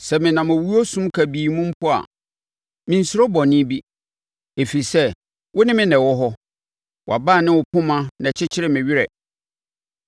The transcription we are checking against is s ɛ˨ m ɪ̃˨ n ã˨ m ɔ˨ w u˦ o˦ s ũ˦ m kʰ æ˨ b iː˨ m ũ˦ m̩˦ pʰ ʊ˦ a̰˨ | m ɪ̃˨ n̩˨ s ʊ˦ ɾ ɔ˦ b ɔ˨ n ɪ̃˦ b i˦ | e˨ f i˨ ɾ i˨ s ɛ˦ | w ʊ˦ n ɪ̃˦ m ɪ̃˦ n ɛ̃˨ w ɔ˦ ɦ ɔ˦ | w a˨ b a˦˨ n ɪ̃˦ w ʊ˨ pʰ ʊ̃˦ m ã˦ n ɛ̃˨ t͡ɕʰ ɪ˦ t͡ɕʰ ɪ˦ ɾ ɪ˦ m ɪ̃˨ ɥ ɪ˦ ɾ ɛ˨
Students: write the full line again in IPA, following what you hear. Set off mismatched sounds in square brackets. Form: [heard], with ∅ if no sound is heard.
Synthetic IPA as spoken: s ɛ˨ m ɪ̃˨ n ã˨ m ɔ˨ w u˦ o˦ s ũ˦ m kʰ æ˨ b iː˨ m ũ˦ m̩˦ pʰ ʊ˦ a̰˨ | m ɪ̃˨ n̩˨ s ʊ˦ ɾ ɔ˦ b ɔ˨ n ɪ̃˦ b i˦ | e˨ f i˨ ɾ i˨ s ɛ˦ | w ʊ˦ n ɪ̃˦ m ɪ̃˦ n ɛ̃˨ w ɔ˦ ɦ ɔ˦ | w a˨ b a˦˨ n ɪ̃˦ w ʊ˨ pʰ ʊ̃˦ m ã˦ n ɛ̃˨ t͡ɕʰ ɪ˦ t͡ɕʰ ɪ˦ ɾ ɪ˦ m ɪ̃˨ ɥ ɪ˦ ɾ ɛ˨